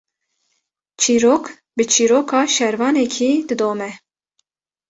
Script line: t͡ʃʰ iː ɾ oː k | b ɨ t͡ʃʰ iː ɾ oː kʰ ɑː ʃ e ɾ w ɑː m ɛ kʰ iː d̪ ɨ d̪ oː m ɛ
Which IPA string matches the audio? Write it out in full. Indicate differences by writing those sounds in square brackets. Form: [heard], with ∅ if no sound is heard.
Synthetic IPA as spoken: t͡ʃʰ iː ɾ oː k | b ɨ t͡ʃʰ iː ɾ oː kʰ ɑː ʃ [ɛ] ɾ [v] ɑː [n] ɛ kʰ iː d̪ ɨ d̪ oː m ɛ

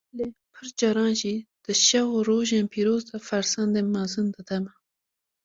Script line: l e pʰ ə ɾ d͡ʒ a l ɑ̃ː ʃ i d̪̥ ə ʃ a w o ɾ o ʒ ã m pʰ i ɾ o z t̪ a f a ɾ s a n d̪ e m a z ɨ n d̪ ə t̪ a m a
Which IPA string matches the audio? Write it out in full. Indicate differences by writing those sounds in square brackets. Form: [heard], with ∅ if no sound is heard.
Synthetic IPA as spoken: l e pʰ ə ɾ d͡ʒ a [ɾ] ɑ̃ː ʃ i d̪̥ ə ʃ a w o ɾ o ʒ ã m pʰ i ɾ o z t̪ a f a ɾ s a n d̪ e m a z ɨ n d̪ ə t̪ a m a

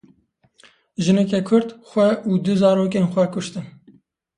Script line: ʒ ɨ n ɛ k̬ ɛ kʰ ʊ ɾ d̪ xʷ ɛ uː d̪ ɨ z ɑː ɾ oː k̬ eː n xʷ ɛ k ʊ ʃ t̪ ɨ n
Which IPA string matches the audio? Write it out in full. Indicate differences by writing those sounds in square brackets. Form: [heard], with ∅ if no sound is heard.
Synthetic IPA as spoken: ʒ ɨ n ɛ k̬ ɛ kʰ ʊ ɾ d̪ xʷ ɛ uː d̪ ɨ z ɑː ɾ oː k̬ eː n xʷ ɛ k ʊ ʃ t̪ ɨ n

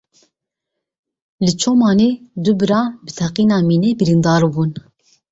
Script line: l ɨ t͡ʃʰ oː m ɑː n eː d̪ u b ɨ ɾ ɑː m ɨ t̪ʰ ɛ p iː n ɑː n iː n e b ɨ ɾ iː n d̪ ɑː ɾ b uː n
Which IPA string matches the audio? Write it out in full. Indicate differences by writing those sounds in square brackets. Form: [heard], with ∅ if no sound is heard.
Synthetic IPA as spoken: l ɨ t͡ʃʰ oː m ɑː n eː d̪ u b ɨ ɾ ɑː [b] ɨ t̪ʰ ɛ [q] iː n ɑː [m] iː n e b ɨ ɾ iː n d̪ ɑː ɾ b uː n

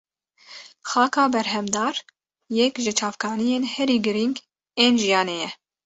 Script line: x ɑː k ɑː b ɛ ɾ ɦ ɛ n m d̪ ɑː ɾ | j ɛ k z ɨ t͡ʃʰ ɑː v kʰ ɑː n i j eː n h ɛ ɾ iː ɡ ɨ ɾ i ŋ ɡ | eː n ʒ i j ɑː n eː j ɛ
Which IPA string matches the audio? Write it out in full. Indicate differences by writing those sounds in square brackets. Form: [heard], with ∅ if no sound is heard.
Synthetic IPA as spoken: x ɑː k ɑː b ɛ ɾ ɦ ɛ [∅] m d̪ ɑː ɾ | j ɛ k [ʒ] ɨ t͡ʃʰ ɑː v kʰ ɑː n i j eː n h ɛ ɾ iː ɡ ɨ ɾ i ŋ ɡ | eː n ʒ i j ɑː n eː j ɛ

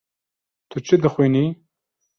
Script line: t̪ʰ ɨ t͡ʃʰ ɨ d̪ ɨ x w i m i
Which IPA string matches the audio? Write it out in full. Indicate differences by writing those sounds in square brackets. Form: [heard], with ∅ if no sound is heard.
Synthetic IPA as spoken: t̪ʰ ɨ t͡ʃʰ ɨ d̪ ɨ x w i [n] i

